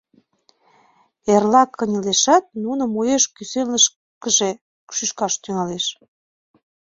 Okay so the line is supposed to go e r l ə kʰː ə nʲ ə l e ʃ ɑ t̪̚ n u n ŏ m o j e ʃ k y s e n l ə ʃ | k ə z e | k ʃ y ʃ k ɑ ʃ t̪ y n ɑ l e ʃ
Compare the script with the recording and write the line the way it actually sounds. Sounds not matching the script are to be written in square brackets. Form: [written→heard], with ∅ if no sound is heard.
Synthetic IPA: e r l [ə→ɑ] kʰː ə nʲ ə l e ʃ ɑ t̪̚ n u n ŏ m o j e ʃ k y s e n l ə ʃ | k ə [z→ʒ] e | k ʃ y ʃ k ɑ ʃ t̪ y [n→ŋ] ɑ l e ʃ